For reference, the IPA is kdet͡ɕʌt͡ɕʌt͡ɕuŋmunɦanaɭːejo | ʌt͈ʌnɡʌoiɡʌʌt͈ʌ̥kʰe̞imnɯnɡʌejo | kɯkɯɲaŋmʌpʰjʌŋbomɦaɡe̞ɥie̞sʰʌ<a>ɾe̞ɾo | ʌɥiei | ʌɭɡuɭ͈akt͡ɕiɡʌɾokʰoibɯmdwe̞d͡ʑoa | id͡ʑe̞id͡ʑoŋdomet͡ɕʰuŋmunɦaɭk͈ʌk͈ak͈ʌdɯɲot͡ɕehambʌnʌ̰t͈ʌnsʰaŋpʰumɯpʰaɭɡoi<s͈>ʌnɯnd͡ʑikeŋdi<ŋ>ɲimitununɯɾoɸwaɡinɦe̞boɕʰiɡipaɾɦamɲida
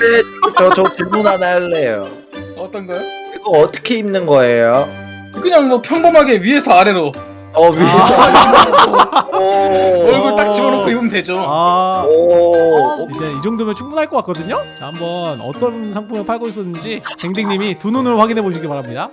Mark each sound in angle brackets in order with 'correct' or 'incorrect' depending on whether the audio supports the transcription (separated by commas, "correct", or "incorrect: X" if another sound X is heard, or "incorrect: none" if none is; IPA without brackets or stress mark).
correct, correct, correct